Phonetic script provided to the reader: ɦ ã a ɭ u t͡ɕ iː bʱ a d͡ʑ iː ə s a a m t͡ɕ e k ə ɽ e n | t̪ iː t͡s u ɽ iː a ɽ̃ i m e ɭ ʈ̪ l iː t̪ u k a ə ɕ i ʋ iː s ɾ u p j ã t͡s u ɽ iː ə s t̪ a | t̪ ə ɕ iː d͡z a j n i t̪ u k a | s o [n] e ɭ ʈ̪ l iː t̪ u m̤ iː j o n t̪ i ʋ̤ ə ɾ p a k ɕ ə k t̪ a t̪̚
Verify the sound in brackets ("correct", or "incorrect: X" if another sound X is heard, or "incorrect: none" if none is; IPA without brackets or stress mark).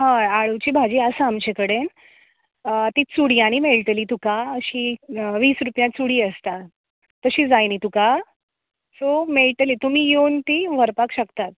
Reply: incorrect: m